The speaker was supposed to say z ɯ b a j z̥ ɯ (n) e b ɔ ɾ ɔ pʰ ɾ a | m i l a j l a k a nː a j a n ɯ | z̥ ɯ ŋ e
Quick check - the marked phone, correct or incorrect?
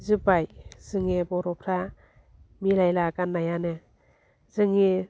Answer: incorrect